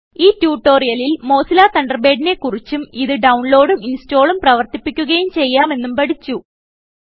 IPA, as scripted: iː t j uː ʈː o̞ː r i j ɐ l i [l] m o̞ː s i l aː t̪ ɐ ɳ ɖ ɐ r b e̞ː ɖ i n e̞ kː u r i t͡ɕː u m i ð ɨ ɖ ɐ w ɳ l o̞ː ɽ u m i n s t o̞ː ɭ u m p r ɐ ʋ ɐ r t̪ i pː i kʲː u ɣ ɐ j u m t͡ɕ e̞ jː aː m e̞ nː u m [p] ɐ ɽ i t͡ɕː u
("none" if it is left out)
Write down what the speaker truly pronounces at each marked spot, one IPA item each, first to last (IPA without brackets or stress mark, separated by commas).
l, p